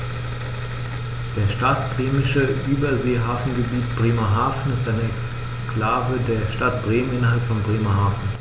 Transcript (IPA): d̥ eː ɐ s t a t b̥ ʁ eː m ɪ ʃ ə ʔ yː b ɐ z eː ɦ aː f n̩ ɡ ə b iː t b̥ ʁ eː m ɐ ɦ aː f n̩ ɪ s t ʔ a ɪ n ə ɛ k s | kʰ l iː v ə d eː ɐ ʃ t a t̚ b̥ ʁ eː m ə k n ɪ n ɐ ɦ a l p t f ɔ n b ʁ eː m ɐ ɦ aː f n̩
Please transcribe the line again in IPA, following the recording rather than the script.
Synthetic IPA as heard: d̥ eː ɐ ʃ t a t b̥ ʁ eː m ɪ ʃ ə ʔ yː b ɐ z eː ɦ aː f n̩ ɡ ə b iː t b̥ ʁ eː m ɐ ɦ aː f n̩ ɪ s t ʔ a ɪ n ə ɛ k s | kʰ l aː v ə d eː ɐ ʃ t a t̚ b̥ ʁ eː m ə n ɪ n ɐ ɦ a l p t f ɔ n b ʁ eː m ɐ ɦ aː f n̩